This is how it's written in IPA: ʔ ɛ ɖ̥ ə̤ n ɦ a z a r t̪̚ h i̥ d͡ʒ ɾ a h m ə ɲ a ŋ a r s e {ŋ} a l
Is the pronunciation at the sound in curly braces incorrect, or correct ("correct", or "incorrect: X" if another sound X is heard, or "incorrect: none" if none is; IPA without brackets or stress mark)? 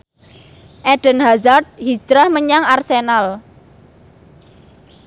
incorrect: n